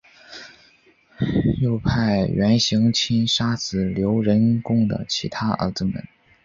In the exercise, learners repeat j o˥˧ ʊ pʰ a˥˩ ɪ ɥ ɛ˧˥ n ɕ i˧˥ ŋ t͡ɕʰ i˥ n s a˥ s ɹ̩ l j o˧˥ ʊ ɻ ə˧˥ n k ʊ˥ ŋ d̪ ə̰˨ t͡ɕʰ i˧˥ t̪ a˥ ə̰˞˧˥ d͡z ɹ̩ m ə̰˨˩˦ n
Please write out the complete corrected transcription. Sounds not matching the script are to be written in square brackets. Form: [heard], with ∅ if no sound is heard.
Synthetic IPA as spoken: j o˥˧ ʊ pʰ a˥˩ ɪ ɥ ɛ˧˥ n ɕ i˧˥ ŋ t͡ɕʰ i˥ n [ʂ] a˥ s ɹ̩ l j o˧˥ ʊ ɻ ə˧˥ n k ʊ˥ ŋ d̪ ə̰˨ t͡ɕʰ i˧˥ [t̪ʰ] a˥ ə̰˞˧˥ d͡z ɹ̩ m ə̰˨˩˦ n